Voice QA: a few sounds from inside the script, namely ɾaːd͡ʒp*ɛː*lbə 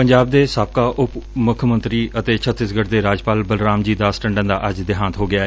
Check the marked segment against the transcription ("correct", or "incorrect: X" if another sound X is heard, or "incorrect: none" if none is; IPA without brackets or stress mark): incorrect: aː